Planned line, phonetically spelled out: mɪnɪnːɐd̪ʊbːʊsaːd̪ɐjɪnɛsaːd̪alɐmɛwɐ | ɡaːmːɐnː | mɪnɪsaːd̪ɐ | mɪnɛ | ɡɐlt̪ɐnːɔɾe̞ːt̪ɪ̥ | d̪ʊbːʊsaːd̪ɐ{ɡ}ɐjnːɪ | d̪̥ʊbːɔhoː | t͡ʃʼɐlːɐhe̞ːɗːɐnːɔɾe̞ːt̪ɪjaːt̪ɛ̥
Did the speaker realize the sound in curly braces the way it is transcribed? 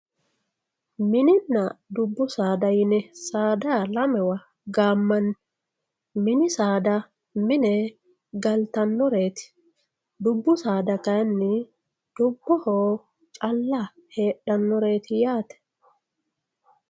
no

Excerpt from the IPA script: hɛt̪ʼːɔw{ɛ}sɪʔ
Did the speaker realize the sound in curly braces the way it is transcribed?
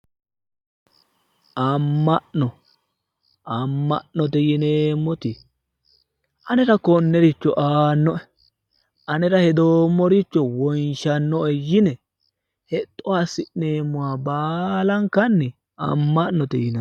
no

